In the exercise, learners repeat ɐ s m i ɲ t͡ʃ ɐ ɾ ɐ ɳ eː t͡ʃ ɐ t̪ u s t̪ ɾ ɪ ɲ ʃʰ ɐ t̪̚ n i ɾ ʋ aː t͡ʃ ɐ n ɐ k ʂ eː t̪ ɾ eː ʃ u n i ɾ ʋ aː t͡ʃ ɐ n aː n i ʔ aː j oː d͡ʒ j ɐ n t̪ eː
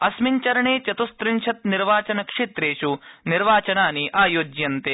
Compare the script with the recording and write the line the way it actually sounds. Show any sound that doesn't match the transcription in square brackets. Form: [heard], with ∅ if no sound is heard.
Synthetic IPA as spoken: ɐ s m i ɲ t͡ʃ ɐ ɾ ɐ ɳ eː t͡ʃ ɐ t̪ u s t̪ ɾ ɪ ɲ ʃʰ ɐ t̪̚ n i ɾ ʋ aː t͡ʃ ɐ n ɐ k ʂ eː t̪ ɾ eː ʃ u n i ɾ ʋ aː t͡ʃ ɐ n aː n i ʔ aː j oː d͡ʒ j ɐ n t̪ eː